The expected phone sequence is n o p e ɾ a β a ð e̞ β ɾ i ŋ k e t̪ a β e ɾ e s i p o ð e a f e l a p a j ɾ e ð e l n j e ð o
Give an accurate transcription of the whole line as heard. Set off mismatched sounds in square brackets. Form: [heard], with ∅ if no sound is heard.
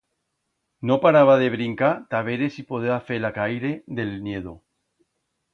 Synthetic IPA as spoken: n o p [a] ɾ a β a ð e̞ β ɾ i ŋ k [a] t̪ a β e ɾ e s i p o ð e a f e l a [k] a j ɾ e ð e l n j e ð o